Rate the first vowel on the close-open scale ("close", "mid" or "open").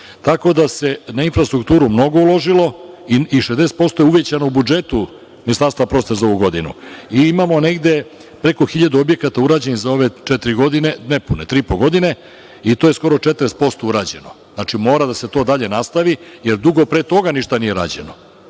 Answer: open